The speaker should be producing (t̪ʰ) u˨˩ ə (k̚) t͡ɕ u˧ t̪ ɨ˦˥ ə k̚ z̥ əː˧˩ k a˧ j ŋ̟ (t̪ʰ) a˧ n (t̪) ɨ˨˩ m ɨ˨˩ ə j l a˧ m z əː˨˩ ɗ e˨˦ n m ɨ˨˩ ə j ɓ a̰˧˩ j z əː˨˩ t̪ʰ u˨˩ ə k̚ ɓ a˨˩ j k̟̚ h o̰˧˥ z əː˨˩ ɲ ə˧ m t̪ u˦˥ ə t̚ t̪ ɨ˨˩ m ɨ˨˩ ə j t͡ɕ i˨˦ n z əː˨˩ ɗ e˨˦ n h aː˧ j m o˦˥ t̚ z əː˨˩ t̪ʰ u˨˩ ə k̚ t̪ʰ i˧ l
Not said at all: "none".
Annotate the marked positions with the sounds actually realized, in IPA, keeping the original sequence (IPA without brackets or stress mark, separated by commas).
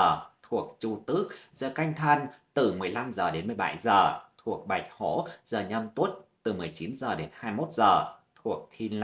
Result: t̪ʰ, k̚, t̪ʰ, t̪